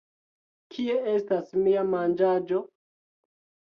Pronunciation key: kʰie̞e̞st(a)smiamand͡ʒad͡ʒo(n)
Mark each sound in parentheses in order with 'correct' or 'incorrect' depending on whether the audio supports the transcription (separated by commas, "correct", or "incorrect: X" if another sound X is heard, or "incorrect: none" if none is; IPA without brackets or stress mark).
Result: correct, incorrect: none